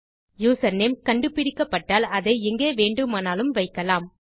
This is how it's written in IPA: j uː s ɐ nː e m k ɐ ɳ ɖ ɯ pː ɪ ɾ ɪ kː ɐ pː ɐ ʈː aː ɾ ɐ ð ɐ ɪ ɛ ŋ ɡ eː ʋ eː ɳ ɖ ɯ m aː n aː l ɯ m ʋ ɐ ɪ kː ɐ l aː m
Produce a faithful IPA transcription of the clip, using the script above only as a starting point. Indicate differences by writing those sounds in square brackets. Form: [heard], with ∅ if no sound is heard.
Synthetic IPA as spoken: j uː s ɐ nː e m k ɐ ɳ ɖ ɯ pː ɪ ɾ ɪ kː ɐ pː ɐ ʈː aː [l] ɐ ð ɐ ɪ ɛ ŋ ɡ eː ʋ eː ɳ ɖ ɯ m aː n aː l ɯ m ʋ ɐ ɪ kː ɐ l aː m